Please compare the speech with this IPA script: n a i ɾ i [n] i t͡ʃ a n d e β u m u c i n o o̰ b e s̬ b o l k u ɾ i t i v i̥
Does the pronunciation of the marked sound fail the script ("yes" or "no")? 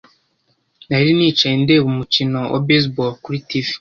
no